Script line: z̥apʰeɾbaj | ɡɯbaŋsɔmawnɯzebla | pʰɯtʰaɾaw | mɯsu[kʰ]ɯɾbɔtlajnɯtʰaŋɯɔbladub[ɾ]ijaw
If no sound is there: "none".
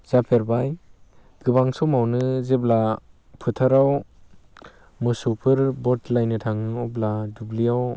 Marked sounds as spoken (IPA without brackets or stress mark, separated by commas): pʰ, l